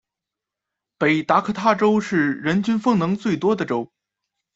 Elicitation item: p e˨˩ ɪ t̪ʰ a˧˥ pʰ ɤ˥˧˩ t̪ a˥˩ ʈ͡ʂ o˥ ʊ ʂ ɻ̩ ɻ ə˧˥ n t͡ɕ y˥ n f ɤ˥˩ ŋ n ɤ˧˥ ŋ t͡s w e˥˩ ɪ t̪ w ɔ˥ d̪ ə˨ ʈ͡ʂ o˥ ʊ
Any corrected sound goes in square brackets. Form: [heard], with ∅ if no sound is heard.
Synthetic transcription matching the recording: p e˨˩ ɪ [t̪] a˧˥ [kʰ] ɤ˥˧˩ [t̪ʰ] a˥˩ ʈ͡ʂ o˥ ʊ ʂ ɻ̩ ɻ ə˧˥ n t͡ɕ y˥ n f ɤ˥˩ ŋ n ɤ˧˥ ŋ t͡s w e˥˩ ɪ t̪ w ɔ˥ d̪ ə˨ ʈ͡ʂ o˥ ʊ

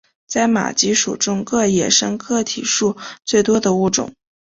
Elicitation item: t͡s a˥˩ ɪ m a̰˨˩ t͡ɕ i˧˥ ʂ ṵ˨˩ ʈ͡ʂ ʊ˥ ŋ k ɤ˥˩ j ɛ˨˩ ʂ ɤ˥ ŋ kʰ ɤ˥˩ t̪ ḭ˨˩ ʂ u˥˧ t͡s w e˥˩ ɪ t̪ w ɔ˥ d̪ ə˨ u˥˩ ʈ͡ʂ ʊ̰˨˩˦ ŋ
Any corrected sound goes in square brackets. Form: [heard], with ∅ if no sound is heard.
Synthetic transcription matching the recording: t͡s a˥˩ ɪ m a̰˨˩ t͡ɕ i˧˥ ʂ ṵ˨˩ ʈ͡ʂ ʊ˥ ŋ k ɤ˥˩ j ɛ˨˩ ʂ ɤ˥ ŋ kʰ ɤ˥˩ [t̪ʰ] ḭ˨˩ ʂ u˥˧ t͡s w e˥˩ ɪ t̪ w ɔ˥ d̪ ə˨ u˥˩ ʈ͡ʂ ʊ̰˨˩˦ ŋ

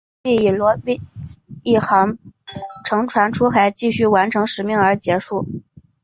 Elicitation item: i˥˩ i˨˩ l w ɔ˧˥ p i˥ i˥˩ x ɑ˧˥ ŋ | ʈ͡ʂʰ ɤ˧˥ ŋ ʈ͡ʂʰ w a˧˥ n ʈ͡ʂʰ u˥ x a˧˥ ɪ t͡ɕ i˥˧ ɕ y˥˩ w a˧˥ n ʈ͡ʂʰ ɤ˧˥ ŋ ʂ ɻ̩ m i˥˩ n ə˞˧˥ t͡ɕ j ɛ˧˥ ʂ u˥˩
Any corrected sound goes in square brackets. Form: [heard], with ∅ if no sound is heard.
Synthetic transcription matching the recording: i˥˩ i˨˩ l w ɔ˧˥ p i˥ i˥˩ x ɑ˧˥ ŋ | ʈ͡ʂʰ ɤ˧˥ ŋ ʈ͡ʂʰ w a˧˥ n ʈ͡ʂʰ u˥ x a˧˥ ɪ t͡ɕ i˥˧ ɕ y˥˩ w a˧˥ n ʈ͡ʂʰ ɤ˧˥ ŋ ʂ ɻ̩ m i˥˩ [ŋ] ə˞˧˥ t͡ɕ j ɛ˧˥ ʂ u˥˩

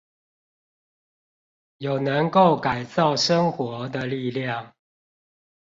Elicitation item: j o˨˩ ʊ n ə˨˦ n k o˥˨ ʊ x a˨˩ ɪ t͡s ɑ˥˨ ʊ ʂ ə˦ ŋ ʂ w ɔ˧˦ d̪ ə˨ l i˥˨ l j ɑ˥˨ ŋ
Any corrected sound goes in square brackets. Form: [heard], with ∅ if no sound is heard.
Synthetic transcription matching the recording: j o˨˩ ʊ n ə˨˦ [ŋ] k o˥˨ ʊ [k] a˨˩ ɪ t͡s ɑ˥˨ ʊ ʂ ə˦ ŋ [x] w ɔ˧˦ d̪ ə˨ l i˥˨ l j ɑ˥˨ ŋ

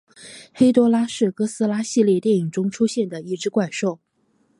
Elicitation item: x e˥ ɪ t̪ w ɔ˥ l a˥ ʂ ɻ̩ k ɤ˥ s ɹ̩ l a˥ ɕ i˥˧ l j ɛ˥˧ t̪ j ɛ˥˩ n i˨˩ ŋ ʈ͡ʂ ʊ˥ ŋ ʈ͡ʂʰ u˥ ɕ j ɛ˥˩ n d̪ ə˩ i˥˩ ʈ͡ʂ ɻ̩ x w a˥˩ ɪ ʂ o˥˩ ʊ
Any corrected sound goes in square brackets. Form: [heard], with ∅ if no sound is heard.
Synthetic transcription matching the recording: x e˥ ɪ t̪ w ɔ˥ l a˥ ʂ ɻ̩ k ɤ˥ s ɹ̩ l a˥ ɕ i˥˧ l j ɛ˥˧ t̪ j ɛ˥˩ n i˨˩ ŋ ʈ͡ʂ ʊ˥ ŋ ʈ͡ʂʰ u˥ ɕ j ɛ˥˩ n d̪ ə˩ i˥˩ ʈ͡ʂ ɻ̩ [k] w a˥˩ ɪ ʂ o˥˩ ʊ

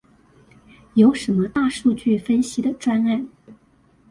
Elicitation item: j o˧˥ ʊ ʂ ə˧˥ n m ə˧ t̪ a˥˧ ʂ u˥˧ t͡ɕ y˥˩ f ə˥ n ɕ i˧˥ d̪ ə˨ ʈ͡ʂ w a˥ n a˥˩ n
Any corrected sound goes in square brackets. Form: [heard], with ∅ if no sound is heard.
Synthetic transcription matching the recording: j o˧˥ ʊ ʂ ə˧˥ n m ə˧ t̪ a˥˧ ʂ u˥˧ t͡ɕ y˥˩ f ə˥ n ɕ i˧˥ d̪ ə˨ ʈ͡ʂ w a˥ n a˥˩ n

